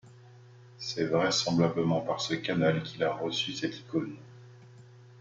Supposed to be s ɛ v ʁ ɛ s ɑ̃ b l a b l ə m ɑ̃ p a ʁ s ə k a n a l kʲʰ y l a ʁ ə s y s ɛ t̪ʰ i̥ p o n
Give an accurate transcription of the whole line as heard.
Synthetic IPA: s ɛ v ʁ ɛ s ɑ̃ b l a b l ə m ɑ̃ p a ʁ s ə k a n a l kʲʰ i l a ʁ ə s y s ɛ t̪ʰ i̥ k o n

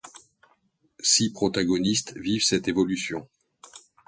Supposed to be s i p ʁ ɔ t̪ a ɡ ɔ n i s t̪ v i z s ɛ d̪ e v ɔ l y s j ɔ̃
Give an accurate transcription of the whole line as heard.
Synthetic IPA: s i p χ ɔ t̪ a ɡ ɔ n i s t̪ v i v s ɛ t̪ e v ɔ l y s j ɔ̃

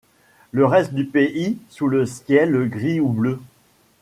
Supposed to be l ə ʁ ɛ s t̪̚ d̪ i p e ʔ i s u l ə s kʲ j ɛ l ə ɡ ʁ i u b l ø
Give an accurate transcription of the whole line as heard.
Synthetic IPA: l ə ʁ ɛ s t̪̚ d̪ y p e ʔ i s u l ə s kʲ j ɛ l ə ɡ ʁ i u b l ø

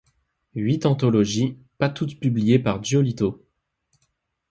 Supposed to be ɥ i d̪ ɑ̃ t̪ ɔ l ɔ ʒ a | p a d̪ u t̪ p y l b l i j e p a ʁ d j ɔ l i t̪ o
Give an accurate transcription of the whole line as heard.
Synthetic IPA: ɥ i t̪ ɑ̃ t̪ ɔ l ɔ ʒ i | p a t̪ u t̪ p y b l i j e p a ʁ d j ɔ l i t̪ o

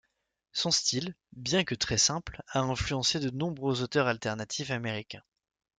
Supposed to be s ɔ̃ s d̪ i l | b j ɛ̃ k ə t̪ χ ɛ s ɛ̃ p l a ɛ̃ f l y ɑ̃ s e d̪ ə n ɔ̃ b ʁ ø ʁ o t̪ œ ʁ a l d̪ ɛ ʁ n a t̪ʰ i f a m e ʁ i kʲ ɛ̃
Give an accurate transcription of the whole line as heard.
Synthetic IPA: s ɔ̃ s t̪ i l | b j ɛ̃ k ə t̪ χ ɛ s ɛ̃ p l a ɛ̃ f l y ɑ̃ s e d̪ ə n ɔ̃ b ʁ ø z o t̪ œ ʁ a l t̪ ɛ ʁ n a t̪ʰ i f a m e ʁ i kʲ ɛ̃

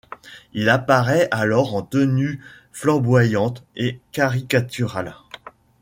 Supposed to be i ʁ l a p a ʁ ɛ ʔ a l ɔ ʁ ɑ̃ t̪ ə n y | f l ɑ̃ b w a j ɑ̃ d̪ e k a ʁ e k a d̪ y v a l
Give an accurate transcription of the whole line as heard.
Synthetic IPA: i l a p a ʁ ɛ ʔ a l ɔ ʁ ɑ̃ t̪ ə n y | f l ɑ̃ b w a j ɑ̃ t̪ e k a ʁ i k a t̪ y ʁ a l

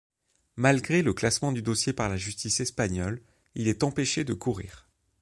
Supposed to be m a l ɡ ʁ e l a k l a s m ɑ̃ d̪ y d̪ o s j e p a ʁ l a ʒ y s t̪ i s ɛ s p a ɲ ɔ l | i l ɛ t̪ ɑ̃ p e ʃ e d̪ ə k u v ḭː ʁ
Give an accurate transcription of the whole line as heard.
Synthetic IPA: m a l ɡ ʁ e l ə k l a s m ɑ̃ d̪ y d̪ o s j e p a ʁ l a ʒ y s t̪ i s ɛ s p a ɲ ɔ l | i l ɛ t̪ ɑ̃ p e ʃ e d̪ ə k u ʁ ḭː ʁ

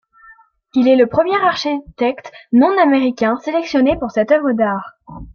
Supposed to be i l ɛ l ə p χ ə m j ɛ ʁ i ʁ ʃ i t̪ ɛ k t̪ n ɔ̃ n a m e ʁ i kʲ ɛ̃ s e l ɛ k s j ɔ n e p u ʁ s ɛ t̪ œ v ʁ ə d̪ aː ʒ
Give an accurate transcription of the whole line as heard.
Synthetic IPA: i l ɛ l ə p χ ə m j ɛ ʁ a ʁ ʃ i t̪ ɛ k t̪ n ɔ̃ n a m e ʁ i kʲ ɛ̃ s e l ɛ k s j ɔ n e p u ʁ s ɛ t̪ œ v ʁ ə d̪ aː ʁ

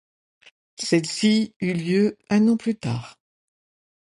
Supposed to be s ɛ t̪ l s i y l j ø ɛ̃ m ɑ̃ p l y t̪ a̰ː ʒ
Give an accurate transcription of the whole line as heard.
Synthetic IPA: s ɛ l s i y l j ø ɛ̃ n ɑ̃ p l y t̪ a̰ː ʁ

